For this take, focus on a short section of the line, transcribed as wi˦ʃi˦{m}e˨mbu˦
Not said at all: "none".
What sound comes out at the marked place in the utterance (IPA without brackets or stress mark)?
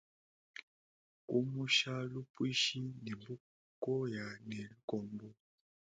n